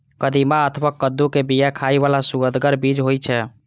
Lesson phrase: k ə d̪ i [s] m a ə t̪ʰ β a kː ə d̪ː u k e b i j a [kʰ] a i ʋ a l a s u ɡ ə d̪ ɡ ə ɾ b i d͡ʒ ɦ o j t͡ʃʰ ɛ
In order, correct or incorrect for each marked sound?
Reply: incorrect, correct

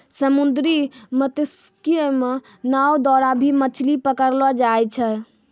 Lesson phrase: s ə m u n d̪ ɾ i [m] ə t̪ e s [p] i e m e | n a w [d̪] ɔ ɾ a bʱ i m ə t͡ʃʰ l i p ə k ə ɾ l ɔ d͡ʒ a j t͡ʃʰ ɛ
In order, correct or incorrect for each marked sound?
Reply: correct, incorrect, correct

